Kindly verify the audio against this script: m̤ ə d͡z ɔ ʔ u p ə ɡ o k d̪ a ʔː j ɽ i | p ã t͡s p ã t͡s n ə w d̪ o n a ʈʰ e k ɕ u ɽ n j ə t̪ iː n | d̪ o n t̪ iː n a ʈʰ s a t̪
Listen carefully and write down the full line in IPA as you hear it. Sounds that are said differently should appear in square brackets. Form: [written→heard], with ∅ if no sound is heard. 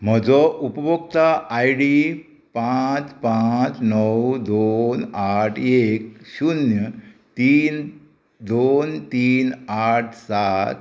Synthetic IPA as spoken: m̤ ə d͡z ɔ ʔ u p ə [ɡ→b] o k [d̪→t̪] a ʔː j ɽ i | p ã t͡s p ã t͡s n ə w d̪ o n a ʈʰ e k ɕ u [ɽ→∅] n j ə t̪ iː n | d̪ o n t̪ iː n a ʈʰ s a t̪